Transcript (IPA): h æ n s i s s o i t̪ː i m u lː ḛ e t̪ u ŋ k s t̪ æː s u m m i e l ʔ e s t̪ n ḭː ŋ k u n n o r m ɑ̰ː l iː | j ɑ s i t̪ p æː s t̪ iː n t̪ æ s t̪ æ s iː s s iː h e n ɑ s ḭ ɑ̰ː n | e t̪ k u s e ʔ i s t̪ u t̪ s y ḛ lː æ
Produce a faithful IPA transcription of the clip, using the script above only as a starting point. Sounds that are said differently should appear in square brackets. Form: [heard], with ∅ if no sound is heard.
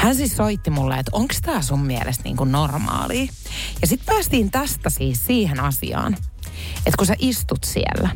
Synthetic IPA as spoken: h æ n s i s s o i t̪ː i m u lː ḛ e t̪ [o] ŋ k s t̪ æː s u m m i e l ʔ e s t̪ n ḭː ŋ k u n n o r m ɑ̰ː l iː | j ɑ s i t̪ p æː s t̪ iː n t̪ æ s t̪ æ s iː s s iː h e n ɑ s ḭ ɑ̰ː n | e t̪ k u s e ʔ i s t̪ u t̪ s [i] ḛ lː æ